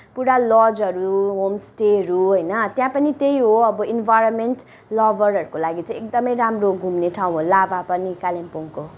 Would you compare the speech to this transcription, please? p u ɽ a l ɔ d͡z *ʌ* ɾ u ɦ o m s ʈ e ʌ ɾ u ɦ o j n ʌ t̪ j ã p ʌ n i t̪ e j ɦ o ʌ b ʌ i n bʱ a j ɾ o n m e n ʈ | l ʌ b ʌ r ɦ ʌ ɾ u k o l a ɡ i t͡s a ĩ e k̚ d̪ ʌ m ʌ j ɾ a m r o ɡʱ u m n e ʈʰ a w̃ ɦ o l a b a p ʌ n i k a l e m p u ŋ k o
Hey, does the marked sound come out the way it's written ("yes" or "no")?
yes